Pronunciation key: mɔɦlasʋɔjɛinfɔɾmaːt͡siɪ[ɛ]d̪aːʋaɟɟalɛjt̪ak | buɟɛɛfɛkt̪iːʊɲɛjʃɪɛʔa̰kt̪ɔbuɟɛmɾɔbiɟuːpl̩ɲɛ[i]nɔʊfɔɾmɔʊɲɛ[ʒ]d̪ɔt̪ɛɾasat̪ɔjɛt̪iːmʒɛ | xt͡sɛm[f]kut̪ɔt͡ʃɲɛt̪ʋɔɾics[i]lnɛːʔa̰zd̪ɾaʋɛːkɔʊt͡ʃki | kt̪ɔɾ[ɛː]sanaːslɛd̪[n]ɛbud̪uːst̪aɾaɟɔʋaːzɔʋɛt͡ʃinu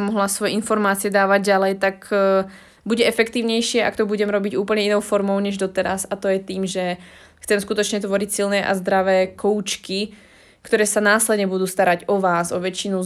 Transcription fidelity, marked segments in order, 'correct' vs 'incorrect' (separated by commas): correct, correct, correct, incorrect, correct, correct, incorrect